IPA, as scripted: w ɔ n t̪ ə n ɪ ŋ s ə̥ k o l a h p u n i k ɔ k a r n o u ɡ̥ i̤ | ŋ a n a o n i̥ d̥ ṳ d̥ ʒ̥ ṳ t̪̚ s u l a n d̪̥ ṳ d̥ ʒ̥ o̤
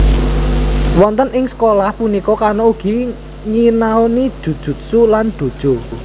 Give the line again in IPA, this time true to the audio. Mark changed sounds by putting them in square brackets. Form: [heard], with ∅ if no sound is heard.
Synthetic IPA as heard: w ɔ n t̪ ə n ɪ ŋ s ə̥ k o l a h p u n i k ɔ k a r n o u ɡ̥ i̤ | ŋ [i] n a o n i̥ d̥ ṳ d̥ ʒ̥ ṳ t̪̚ s u l a n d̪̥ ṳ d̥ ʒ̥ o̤